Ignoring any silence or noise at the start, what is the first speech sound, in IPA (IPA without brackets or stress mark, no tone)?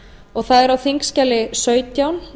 ɔ